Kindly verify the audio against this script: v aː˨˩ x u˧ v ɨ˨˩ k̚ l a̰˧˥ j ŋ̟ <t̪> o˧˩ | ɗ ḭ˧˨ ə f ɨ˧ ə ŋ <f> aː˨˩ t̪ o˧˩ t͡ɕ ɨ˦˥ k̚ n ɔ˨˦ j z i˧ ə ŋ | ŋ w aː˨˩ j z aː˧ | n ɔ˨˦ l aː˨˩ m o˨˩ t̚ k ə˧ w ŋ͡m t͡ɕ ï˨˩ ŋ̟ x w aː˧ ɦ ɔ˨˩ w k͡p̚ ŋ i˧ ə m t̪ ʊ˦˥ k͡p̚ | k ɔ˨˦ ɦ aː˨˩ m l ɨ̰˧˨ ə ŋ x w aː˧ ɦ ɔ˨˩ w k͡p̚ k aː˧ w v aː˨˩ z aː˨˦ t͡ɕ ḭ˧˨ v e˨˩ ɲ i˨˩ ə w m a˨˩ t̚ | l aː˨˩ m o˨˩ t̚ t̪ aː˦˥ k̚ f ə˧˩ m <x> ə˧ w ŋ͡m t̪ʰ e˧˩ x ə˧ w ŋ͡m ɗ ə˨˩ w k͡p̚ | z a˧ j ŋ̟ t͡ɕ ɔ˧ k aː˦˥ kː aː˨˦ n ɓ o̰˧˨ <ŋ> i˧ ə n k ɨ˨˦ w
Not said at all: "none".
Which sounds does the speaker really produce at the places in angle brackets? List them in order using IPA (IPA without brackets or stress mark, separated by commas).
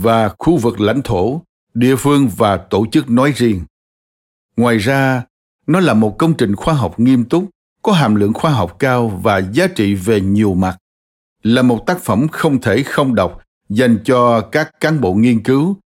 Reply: t̪ʰ, v, x, ŋ